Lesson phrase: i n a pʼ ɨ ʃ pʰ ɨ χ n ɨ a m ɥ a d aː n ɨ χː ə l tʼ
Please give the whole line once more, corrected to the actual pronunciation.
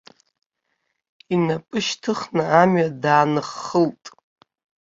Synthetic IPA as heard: i n a pʼ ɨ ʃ tʰ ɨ χ n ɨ a m ɥ a d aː n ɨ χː ə l tʼ